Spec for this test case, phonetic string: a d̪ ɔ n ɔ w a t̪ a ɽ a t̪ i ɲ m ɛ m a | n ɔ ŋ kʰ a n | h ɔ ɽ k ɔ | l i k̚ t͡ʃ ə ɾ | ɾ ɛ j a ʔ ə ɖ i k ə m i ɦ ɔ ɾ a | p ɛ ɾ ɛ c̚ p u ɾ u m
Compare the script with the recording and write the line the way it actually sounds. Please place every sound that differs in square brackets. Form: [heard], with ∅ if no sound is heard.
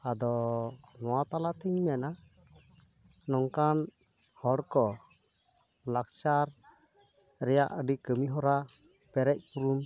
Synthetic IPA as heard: a d̪ ɔ n ɔ w a t̪ a [l] a t̪ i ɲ m ɛ [n] a | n ɔ ŋ [k] a n | h ɔ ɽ k ɔ | l [a] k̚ t͡ʃ [a] ɾ | ɾ ɛ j a ʔ ə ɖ i k ə m i ɦ ɔ ɾ a | p ɛ ɾ ɛ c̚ p u ɾ u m